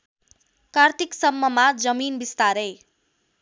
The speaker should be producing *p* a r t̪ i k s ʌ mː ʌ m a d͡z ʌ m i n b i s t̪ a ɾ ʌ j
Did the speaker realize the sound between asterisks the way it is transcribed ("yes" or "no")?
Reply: no